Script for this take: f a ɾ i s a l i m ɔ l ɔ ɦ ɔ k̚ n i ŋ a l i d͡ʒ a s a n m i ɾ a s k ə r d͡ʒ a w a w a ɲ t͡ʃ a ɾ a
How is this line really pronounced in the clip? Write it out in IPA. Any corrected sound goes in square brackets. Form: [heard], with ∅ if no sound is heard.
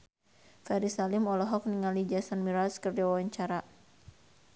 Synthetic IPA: f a ɾ i s a l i m ɔ l ɔ ɦ ɔ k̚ n i ŋ a l i d͡ʒ a s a n m i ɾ a s k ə r d͡ʒ a w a w a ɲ t͡ʃ a ɾ a